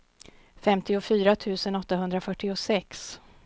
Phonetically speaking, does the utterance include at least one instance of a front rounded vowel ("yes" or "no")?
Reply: yes